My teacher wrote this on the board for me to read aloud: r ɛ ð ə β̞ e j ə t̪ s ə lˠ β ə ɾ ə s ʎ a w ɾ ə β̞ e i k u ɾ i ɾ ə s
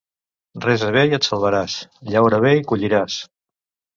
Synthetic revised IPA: r ɛ z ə β̞ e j ə t̪ s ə lˠ β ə ɾ a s ʎ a w ɾ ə β̞ e i k u ʎ i ɾ a s